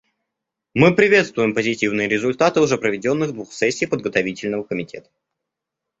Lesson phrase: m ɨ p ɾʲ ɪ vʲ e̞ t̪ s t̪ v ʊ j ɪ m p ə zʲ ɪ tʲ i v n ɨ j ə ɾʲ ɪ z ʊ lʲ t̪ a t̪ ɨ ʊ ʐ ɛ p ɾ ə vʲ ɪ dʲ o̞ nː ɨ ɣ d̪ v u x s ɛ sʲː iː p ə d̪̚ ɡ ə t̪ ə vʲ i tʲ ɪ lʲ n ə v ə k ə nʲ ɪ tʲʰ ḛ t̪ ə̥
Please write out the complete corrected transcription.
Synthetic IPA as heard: m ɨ p ɾʲ ɪ vʲ e̞ t̪ s t̪ v ʊ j ɪ m p ə zʲ ɪ tʲ i v n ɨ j ə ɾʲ ɪ z ʊ lʲ t̪ a t̪ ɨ ʊ ʐ ɛ p ɾ ə vʲ ɪ dʲ o̞ nː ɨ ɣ d̪ v u x s ɛ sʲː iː p ə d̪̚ ɡ ə t̪ ɐ vʲ i tʲ ɪ lʲ n ə v ə k ə mʲ ɪ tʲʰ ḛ t̪ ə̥